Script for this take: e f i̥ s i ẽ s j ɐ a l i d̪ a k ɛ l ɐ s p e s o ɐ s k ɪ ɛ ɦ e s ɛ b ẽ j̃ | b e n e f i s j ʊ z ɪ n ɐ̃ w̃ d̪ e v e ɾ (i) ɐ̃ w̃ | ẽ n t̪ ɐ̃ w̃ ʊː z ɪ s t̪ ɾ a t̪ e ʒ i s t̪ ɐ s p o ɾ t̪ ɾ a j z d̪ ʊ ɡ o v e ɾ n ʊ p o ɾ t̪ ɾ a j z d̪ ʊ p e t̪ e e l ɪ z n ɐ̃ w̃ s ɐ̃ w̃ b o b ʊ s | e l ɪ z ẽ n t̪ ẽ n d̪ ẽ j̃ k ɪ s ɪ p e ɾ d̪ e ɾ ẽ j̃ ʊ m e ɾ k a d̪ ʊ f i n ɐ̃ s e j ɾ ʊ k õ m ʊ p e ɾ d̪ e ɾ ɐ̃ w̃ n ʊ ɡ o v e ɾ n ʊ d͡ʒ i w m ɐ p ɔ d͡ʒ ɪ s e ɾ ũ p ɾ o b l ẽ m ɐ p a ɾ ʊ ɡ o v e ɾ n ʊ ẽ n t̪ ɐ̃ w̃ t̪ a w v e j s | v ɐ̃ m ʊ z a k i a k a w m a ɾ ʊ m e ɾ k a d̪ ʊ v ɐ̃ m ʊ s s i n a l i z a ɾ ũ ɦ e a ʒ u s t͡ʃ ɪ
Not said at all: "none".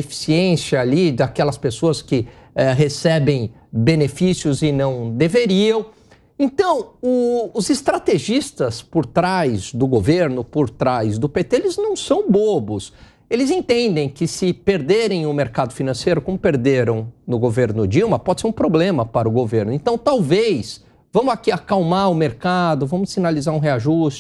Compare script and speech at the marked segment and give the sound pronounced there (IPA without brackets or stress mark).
i